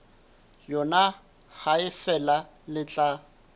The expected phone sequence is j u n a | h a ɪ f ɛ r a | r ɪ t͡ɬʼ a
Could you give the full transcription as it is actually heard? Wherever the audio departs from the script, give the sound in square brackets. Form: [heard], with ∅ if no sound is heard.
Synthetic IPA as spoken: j [ɔ] n a | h a ɪ f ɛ [l] a | [l] ɪ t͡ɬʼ a